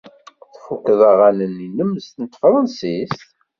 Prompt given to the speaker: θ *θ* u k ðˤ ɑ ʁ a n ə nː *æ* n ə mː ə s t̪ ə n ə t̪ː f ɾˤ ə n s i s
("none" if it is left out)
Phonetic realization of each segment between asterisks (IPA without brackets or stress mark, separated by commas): f, i